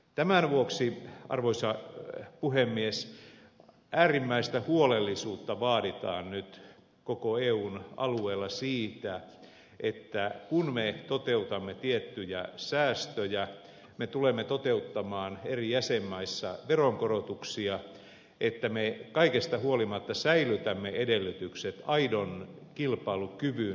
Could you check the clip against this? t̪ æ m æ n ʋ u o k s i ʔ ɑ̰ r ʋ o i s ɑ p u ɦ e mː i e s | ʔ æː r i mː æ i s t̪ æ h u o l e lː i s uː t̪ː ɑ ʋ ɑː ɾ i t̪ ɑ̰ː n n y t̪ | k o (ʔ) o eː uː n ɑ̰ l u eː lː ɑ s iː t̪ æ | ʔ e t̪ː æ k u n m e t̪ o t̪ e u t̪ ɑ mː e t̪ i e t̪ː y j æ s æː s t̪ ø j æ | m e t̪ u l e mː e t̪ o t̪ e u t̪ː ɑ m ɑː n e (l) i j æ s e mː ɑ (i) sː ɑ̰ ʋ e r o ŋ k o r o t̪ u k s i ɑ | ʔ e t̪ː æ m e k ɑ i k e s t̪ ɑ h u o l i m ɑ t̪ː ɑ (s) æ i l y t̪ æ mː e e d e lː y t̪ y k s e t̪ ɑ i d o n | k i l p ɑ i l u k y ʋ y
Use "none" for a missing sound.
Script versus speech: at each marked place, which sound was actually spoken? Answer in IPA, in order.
k, r, i, s

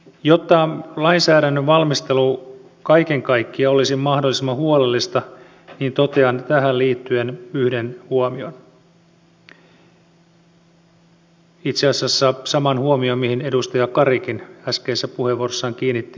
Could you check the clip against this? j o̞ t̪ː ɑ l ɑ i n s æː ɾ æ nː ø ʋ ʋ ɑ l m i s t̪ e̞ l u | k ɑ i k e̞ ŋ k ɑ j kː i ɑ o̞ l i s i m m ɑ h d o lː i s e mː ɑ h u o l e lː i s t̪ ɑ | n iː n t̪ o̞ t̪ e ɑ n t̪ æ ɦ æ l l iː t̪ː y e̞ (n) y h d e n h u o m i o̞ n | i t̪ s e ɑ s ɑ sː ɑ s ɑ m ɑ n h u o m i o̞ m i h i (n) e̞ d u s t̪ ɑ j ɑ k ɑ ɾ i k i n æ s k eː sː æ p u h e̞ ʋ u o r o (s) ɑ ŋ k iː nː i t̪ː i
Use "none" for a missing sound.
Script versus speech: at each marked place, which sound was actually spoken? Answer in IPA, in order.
n, n, sː

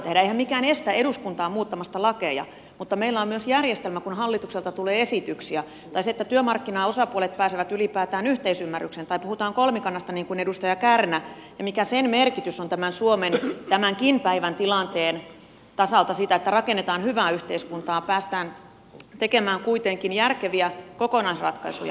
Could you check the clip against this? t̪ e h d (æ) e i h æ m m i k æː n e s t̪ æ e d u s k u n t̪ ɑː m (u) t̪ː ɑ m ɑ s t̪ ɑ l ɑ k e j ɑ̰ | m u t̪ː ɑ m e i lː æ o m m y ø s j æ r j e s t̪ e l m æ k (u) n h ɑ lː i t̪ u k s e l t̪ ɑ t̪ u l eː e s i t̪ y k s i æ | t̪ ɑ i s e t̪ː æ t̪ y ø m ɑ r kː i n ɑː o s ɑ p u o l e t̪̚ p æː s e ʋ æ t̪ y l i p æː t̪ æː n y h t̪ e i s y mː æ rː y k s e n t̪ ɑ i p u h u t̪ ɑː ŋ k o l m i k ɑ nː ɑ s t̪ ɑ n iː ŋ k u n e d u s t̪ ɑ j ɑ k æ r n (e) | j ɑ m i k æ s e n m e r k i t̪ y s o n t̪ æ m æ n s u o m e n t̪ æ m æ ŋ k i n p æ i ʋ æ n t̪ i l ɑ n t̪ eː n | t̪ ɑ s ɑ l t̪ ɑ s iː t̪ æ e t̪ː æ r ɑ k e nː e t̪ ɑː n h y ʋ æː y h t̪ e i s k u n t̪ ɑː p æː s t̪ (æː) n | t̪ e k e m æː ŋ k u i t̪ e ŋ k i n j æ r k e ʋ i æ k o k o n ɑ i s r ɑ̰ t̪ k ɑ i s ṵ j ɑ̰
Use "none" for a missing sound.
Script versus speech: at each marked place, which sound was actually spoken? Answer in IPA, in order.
æ, uː, u, æ, æː

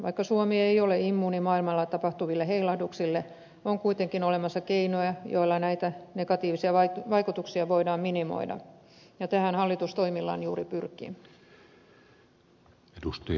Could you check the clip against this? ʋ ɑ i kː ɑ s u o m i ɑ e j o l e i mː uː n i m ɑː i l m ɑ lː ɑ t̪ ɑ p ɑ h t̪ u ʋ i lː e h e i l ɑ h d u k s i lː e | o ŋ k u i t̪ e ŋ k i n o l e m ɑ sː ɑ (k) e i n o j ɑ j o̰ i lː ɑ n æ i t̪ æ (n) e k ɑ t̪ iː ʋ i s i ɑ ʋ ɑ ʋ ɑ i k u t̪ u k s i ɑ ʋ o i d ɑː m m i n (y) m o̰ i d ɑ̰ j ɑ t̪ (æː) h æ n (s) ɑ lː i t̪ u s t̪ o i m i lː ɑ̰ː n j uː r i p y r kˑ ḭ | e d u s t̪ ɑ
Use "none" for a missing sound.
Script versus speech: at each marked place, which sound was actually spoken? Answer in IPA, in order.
k, n, i, æ, h

